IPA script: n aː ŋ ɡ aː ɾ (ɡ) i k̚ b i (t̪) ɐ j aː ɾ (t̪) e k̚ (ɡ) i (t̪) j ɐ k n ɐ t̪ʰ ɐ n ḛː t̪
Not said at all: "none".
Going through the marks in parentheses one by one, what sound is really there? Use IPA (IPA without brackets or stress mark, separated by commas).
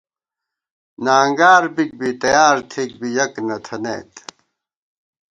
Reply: b, t̪, t̪ʰ, b, none